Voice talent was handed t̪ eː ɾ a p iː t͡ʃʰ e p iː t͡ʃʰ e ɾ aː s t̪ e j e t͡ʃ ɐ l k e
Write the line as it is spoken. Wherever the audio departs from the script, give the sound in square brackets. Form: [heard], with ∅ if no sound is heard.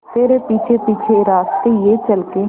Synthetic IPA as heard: t̪ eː ɾ [e] p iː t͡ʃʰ e p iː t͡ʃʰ e ɾ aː s t̪ e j e t͡ʃ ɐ l k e